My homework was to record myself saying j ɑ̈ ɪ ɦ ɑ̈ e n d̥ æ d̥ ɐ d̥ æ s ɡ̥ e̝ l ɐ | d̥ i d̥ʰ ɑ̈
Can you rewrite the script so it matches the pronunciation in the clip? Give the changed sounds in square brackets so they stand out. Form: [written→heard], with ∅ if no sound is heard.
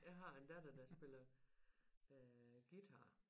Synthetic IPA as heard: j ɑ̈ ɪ ɦ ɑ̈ e n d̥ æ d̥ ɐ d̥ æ s [ɡ̥→b̥] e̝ l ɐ | [d̥→ɡ̥] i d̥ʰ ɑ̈